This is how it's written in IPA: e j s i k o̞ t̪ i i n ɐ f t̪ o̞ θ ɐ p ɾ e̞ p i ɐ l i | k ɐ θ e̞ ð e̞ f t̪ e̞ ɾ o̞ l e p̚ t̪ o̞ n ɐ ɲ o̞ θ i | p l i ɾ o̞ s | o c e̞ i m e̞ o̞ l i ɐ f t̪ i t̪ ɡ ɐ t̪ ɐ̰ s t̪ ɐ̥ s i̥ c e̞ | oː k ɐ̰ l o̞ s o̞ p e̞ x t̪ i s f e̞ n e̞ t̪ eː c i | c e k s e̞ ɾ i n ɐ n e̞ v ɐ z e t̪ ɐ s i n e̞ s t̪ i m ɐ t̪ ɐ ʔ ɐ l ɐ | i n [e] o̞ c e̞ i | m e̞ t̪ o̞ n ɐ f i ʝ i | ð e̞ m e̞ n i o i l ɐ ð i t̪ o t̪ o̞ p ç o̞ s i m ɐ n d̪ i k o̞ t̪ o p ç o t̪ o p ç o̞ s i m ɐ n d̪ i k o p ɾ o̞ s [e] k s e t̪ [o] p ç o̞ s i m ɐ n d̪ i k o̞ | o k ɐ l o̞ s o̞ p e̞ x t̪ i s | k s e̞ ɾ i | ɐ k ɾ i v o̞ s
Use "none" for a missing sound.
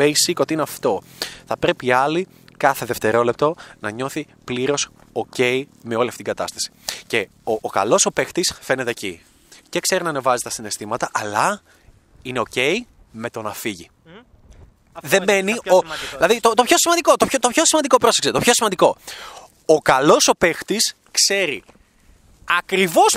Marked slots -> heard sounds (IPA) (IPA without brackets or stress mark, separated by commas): e, e, o